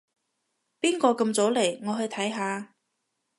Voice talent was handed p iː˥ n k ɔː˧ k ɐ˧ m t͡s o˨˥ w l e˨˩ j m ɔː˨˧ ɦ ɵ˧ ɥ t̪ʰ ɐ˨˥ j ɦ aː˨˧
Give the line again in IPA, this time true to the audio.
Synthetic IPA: p iː˥ n k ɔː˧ k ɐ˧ m t͡s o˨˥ w l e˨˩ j ŋ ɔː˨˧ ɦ ɵ˧ ɥ t̪ʰ ɐ˨˥ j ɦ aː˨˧